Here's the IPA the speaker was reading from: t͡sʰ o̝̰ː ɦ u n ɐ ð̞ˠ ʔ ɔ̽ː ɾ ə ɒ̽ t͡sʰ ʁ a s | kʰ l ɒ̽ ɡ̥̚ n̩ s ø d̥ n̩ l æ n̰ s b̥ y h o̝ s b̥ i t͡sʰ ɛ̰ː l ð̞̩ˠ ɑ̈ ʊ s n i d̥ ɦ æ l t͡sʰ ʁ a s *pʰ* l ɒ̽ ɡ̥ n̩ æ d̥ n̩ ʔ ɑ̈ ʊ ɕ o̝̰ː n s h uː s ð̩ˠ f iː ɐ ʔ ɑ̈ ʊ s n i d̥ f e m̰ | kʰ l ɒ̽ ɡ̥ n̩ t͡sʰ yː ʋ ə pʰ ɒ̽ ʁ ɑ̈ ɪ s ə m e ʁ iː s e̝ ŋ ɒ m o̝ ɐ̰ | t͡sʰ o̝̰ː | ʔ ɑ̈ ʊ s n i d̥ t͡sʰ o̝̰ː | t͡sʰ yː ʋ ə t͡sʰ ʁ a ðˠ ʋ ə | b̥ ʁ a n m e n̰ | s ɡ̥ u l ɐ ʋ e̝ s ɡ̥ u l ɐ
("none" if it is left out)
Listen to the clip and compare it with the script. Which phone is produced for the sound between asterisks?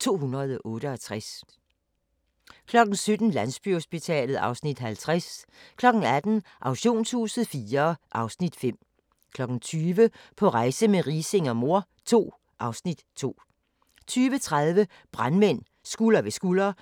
kʰ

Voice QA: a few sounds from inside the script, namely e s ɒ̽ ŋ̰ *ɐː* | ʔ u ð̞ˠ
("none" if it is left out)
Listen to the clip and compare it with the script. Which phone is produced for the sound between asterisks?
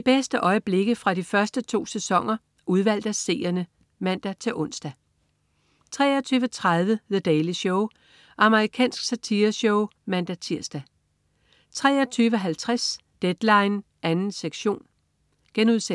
ɐ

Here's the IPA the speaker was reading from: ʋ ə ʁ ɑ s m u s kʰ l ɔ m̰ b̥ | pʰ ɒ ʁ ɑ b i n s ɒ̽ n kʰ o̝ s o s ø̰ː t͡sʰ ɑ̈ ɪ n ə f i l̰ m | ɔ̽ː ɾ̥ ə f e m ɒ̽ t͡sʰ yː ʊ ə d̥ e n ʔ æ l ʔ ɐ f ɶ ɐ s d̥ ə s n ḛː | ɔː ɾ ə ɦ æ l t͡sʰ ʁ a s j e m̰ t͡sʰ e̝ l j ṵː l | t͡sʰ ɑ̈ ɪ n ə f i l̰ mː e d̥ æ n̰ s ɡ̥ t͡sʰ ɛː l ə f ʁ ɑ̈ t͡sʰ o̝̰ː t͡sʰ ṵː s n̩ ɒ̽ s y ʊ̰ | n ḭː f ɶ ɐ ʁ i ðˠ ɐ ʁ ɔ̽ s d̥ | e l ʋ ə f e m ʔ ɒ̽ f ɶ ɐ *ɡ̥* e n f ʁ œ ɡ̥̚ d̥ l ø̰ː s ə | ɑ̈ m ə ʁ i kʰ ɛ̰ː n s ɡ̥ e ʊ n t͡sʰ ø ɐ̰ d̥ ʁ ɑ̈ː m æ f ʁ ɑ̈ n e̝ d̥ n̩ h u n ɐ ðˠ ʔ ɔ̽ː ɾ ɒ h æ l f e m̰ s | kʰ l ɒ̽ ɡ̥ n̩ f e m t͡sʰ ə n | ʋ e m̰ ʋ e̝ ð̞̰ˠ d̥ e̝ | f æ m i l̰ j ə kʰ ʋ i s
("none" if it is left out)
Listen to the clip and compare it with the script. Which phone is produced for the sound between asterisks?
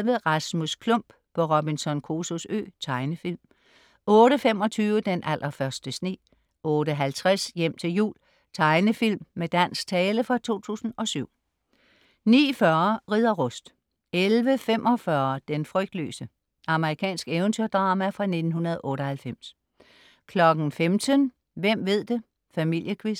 d̥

